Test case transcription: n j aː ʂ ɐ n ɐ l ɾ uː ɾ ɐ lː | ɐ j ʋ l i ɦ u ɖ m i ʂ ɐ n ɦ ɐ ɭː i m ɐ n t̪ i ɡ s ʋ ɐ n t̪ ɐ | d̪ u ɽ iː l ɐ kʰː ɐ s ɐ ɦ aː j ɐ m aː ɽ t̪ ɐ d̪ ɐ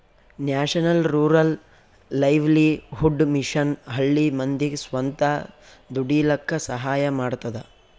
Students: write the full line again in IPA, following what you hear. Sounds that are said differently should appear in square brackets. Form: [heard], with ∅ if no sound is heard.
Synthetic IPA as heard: n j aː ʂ ɐ n ɐ l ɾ uː ɾ ɐ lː | ɐ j ʋ l i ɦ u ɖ m i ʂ ɐ n ɦ ɐ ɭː i m ɐ n [d̪] i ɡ s ʋ ɐ n t̪ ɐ | d̪ u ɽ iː l ɐ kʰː ɐ s ɐ ɦ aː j ɐ m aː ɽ t̪ ɐ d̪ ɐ